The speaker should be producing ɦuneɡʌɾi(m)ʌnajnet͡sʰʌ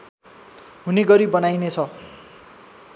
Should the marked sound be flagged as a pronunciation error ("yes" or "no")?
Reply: yes